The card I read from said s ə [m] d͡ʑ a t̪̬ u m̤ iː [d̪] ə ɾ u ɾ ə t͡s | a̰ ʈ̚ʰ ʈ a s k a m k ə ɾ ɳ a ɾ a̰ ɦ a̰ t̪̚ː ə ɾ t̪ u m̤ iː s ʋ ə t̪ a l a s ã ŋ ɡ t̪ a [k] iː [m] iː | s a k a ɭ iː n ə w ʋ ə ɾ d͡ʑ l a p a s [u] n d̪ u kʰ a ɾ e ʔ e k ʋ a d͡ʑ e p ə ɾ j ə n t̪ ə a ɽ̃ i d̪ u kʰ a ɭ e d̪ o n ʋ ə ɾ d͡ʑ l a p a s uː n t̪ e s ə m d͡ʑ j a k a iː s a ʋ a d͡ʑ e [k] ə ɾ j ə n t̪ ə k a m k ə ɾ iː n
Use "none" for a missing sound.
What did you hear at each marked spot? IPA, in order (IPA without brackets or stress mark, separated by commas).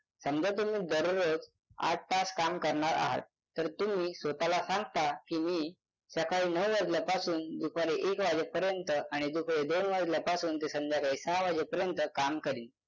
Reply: m, d̪, k, m, uː, p